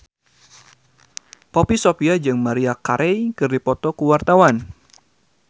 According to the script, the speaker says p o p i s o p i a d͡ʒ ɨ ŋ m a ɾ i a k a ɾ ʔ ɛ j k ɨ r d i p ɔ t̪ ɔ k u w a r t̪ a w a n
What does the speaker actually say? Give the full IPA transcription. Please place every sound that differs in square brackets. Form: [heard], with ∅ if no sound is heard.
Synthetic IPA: p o p i s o p i a d͡ʒ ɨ ŋ m a ɾ i a k a ɾ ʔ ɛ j k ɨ r d i p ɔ t̪ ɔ k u w a r t̪ a w a n

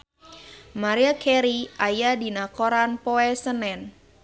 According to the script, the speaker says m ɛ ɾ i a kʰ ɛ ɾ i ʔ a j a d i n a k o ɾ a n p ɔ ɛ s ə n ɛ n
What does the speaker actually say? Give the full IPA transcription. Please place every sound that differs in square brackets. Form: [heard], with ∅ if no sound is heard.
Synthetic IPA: m [a] ɾ i a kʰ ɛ ɾ i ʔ a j a d i n a k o ɾ a n p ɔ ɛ s ə n ɛ n

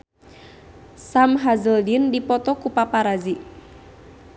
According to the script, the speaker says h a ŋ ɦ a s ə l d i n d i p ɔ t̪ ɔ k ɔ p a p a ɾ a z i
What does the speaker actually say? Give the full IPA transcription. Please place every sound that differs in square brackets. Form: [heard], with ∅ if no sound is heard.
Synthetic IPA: [s] a [m] ɦ a [z] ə l d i n d i p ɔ t̪ ɔ k [u] p a p a ɾ a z i

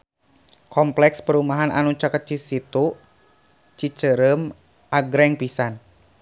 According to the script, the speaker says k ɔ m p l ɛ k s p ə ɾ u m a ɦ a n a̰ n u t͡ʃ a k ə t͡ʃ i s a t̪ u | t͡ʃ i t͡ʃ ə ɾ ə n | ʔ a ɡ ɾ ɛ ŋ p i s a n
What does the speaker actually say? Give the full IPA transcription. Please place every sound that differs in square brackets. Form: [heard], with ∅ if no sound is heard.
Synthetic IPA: k ɔ m p l ɛ k s p ə ɾ u m a ɦ a n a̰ n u t͡ʃ a k ə t͡ʃ i s [i] t̪ u | t͡ʃ i t͡ʃ ə ɾ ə [m] | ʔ a ɡ ɾ ɛ ŋ p i s a n

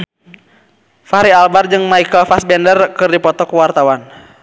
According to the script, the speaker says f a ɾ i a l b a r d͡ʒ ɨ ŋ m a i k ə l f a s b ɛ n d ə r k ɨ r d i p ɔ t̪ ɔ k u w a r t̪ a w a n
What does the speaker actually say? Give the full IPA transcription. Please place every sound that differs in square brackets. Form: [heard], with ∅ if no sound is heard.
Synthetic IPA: f a ɾ i a l b a r d͡ʒ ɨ ŋ m a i k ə l f a s b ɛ n d ə r k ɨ r d i p ɔ t̪ ɔ k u w a r t̪ a w a n

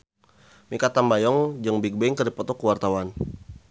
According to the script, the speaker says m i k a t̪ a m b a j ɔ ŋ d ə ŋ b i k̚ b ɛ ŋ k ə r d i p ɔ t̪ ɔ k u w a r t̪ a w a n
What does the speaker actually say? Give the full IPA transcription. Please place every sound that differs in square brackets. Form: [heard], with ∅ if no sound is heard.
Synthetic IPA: m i k a t̪ a m b a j ɔ ŋ [d͡ʒ] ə ŋ b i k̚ b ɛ ŋ k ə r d i p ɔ t̪ ɔ k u w a r t̪ a w a n

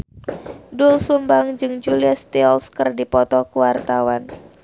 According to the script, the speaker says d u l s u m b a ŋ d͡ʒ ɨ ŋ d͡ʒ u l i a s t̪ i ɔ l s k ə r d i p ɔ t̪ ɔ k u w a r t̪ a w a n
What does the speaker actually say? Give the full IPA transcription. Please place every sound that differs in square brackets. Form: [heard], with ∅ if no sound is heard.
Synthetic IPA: d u l s u m b a ŋ d͡ʒ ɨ ŋ d͡ʒ u l i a s t̪ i ɔ l s k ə r d i p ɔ t̪ ɔ k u w a r t̪ a w a n

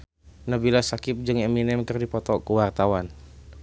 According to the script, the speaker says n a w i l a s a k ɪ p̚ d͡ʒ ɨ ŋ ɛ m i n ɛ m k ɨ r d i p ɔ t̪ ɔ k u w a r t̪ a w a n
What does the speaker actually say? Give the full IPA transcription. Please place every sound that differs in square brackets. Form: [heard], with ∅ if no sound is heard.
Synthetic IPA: n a [b] i l a s a k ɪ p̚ d͡ʒ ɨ ŋ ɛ m i n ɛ m k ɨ r d i p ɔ t̪ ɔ k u w a r t̪ a w a n

